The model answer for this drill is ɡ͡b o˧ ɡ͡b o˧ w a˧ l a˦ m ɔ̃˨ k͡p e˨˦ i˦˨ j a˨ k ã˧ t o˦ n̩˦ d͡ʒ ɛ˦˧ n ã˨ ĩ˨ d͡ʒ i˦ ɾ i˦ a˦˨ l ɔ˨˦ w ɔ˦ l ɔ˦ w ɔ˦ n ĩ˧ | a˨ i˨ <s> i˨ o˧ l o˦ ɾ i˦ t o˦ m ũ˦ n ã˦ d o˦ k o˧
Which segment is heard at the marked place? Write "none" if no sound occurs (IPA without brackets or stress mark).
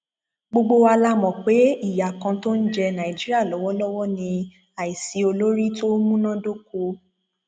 s